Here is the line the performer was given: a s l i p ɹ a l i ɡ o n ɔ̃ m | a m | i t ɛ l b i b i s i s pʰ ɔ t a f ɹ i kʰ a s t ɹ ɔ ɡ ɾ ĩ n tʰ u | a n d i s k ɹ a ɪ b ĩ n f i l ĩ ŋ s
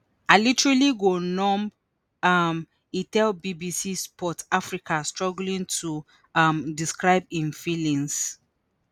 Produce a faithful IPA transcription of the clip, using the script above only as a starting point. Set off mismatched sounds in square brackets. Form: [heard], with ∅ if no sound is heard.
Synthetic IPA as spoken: a [∅] l i [t] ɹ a l i ɡ o n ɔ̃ m | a m | i t ɛ l b i b i s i s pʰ ɔ t a f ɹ i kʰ a s t ɹ ɔ ɡ [l] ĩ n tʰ u | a [m] d i s k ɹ a ɪ b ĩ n f i l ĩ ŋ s